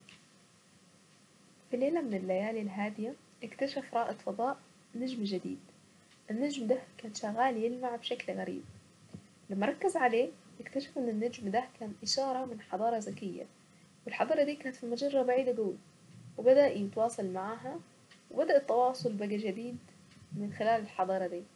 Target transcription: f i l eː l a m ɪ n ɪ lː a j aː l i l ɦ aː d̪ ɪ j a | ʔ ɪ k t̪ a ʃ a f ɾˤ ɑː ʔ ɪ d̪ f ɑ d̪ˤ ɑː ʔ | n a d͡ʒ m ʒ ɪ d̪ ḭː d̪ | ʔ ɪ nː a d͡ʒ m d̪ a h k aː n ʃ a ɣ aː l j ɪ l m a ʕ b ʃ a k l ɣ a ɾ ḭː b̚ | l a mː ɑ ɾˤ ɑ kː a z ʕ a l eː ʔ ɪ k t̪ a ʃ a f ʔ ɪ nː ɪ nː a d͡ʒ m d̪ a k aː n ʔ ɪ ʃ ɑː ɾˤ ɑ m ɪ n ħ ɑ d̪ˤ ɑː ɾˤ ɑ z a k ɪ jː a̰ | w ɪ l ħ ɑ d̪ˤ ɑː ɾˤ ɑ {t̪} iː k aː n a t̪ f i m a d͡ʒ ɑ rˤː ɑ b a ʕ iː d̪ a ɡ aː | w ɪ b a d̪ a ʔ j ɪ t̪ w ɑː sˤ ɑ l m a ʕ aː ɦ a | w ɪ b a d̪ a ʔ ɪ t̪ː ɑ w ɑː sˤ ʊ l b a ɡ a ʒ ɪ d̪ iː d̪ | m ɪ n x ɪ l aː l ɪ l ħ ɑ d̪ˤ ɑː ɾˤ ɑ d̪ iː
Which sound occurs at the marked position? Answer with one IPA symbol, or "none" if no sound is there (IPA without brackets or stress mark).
d̪